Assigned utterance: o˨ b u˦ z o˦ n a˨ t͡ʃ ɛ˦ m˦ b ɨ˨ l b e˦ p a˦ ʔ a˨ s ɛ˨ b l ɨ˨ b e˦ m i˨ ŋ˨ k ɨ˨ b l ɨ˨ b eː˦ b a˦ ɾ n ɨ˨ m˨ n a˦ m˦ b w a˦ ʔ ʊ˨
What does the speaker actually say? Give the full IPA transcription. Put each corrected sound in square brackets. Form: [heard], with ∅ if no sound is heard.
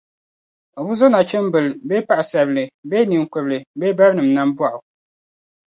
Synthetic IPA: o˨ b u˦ z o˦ n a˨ t͡ʃ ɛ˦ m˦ b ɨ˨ l b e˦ p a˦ ʔ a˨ s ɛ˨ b l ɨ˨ b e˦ [n] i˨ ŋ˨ k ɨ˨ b l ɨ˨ b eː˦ b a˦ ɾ n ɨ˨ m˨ n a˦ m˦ b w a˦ ʔ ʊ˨